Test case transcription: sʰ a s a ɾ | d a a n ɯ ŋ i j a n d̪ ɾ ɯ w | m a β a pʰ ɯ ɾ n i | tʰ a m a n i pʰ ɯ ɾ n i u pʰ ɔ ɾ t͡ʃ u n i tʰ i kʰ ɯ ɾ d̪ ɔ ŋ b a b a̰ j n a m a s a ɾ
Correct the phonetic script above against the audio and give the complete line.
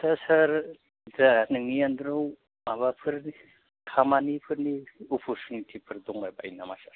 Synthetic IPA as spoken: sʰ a s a ɾ | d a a n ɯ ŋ i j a n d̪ ɾ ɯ w | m a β a pʰ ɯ ɾ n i | kʰ a m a n i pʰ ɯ ɾ n i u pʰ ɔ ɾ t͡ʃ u n i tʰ i pʰ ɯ ɾ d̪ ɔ ŋ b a b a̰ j n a m a s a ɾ

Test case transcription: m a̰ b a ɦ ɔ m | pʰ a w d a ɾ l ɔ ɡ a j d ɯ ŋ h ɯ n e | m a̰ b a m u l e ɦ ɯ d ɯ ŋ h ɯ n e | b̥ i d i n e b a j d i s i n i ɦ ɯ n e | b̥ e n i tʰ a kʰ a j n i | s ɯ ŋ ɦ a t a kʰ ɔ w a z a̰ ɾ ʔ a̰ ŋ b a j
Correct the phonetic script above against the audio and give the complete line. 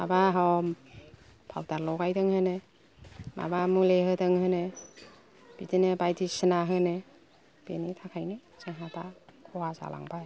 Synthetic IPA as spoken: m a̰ b a ɦ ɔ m | pʰ a w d a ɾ l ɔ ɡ a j d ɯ ŋ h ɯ n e | m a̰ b a m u l e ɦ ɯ d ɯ ŋ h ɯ n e | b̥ i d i n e b a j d i s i n a ɦ ɯ n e | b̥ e n i tʰ a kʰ a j n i | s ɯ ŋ ɦ a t a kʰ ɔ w a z a̰ l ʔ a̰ ŋ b a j

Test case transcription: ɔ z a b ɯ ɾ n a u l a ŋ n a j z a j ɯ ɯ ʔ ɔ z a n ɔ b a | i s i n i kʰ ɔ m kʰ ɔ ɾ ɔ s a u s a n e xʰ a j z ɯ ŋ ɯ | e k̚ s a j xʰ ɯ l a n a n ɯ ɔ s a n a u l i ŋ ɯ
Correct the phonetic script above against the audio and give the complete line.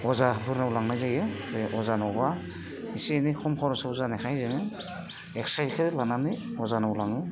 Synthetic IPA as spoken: ɔ z a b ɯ ɾ n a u l a ŋ n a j z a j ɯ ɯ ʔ ɔ z a n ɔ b a | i s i n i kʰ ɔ m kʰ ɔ ɾ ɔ s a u z a n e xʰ a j z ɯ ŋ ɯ | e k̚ s a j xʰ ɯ l a n a n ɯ ɔ z a n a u l a ŋ ɯ

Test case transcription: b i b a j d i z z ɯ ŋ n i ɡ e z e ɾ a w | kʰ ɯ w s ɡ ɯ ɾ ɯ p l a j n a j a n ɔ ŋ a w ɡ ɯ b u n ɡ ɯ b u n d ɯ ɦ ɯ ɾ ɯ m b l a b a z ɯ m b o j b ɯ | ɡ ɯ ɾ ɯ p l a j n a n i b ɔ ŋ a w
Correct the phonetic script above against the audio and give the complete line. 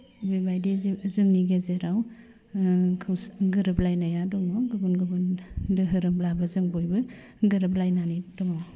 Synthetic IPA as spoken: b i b a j d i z z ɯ ŋ n i ɡ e z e ɾ a w | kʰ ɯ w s ɡ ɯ ɾ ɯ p l a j n a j a d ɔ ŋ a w ɡ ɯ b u n ɡ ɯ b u n d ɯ ɦ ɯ ɾ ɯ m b l a b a z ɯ ŋ b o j b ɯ | ɡ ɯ ɾ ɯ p l a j n a n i d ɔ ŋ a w

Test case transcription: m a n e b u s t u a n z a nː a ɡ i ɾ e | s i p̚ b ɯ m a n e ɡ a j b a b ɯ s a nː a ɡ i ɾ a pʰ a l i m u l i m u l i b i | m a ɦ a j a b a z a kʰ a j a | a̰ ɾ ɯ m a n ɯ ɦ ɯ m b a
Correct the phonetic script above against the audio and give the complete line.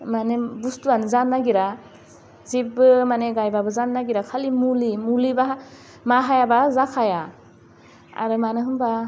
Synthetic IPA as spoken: m a n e b u s t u a n z a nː a ɡ i ɾ a | z i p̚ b ɯ m a n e ɡ a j b a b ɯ z a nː a ɡ i ɾ a kʰ a l i m u l i m u l i b a | m a ɦ a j a b a z a kʰ a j a | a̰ ɾ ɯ m a n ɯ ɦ ɯ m b a

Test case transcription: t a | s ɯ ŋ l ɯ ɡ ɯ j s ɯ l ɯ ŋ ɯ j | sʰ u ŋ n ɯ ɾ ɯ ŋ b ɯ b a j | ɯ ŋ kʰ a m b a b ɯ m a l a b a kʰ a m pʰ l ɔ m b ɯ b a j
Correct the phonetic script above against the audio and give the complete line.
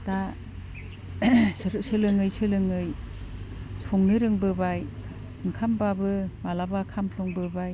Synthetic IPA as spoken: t a | s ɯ l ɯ ŋ ɯ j s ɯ l ɯ ŋ ɯ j | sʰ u ŋ n ɯ ɾ ɯ ŋ b ɯ b a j | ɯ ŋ kʰ a m b a b ɯ m a l a b a kʰ a m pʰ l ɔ ŋ b ɯ b a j

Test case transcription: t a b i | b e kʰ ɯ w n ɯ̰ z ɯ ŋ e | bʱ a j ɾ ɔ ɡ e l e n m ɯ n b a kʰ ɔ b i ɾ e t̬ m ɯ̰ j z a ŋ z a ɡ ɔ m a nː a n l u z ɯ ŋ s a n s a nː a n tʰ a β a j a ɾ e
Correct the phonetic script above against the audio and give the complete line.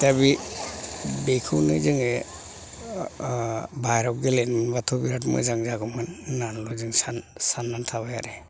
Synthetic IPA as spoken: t a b i | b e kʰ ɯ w n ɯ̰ z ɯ ŋ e | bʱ a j ɾ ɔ ɡ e l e n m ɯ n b a tʰ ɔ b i ɾ a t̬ m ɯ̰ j z a ŋ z a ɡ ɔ m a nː a n l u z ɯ ŋ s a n s a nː a n tʰ a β a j a ɾ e

